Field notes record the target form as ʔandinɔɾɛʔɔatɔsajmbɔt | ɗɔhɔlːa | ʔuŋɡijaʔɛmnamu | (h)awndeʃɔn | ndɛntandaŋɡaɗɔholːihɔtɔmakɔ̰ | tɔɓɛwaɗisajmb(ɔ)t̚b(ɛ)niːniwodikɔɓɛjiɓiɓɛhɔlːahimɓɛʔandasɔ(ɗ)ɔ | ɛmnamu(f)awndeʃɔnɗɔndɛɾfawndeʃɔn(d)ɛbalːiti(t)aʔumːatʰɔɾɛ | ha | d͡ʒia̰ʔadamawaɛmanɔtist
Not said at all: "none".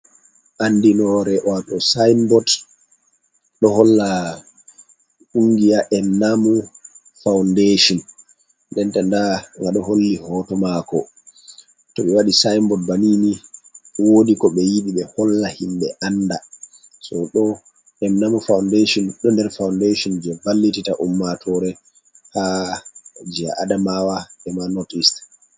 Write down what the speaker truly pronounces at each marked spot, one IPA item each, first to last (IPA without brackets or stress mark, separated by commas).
f, ɔ, a, ɗ, f, d͡ʒ, t